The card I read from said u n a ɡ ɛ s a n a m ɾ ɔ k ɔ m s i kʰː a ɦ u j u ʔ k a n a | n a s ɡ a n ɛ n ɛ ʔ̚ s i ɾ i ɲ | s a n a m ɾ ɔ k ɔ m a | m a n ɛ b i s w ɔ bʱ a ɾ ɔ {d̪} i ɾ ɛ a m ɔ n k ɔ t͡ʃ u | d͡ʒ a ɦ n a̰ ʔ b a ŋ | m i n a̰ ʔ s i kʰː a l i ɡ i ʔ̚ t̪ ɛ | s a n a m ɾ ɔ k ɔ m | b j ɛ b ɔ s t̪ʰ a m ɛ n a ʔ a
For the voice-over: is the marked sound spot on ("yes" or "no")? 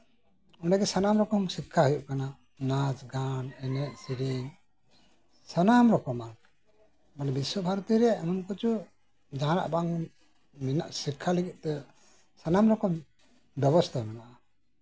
no